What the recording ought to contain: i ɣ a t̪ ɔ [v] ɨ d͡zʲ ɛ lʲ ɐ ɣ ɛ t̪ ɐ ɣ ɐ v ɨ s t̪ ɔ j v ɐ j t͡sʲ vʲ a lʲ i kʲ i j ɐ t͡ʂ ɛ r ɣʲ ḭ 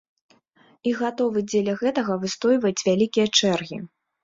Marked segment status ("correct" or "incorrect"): correct